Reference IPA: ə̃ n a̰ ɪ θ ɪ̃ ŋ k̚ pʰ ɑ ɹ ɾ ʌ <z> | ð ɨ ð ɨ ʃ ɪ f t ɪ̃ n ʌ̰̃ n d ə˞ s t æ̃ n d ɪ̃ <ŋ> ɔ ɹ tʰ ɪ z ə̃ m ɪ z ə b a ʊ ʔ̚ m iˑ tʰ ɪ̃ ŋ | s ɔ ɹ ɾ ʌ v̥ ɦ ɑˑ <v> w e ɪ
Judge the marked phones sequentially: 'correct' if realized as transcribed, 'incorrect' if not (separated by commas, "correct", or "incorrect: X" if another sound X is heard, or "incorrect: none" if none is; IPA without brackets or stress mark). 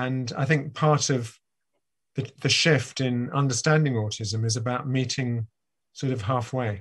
incorrect: v, correct, incorrect: f